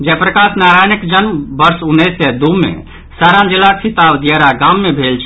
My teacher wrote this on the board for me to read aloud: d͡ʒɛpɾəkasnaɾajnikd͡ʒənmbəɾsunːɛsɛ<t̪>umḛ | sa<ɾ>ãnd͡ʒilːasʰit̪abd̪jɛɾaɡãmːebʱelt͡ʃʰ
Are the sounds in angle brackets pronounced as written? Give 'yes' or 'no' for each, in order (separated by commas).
no, yes